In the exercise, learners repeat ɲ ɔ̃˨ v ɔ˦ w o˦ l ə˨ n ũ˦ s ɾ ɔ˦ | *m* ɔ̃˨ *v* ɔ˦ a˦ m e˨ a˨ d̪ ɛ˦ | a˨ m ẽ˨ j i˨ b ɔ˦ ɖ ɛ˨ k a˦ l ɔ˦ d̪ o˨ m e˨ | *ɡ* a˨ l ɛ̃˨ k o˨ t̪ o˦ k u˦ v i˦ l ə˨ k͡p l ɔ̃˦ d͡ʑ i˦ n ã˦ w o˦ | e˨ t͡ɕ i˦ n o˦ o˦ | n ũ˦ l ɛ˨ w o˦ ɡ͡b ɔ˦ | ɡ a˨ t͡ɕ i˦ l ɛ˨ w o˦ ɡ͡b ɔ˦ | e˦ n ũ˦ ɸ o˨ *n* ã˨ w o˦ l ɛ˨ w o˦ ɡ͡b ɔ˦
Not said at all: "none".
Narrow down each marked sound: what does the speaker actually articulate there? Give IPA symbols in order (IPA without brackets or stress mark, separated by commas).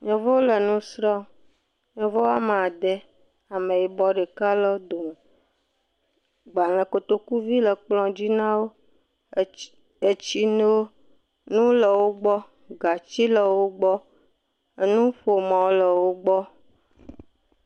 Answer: ɲ, v, ɡ͡b, m